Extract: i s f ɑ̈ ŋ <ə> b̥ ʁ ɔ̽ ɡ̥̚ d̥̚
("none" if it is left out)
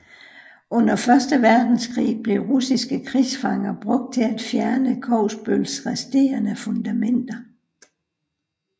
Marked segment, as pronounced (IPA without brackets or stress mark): ɐ